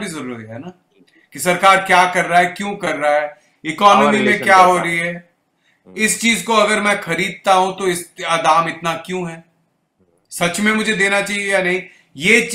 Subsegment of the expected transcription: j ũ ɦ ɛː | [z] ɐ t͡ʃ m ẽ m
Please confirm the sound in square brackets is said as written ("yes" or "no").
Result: no